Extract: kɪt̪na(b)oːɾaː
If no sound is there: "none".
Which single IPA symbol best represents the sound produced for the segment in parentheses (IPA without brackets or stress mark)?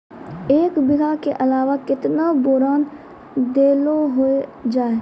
b